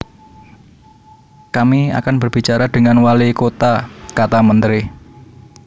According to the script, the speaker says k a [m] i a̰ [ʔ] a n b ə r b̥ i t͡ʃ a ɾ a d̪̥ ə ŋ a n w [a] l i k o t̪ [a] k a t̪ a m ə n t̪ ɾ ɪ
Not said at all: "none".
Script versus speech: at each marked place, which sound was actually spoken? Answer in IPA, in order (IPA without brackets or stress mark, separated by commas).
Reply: m, k, a, a